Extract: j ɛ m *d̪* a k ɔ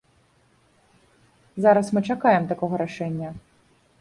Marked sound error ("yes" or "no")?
yes